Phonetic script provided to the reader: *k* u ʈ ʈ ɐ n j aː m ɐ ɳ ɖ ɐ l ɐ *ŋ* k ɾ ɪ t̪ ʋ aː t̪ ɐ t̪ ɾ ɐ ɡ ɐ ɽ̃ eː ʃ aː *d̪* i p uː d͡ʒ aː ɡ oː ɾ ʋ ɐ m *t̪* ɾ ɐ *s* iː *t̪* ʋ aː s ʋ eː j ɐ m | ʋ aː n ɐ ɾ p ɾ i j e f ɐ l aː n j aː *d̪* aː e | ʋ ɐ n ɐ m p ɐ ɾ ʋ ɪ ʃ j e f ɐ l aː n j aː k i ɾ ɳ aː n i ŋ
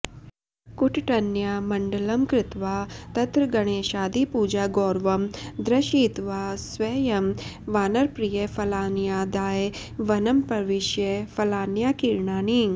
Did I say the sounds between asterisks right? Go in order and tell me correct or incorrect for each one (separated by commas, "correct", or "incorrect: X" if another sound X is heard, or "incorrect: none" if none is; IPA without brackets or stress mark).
correct, incorrect: m, correct, incorrect: d̪, incorrect: ʃ, correct, correct